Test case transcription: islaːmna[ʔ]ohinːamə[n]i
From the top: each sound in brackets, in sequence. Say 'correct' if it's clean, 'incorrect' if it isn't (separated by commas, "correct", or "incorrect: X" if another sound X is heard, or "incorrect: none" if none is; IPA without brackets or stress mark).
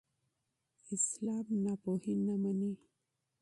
incorrect: p, correct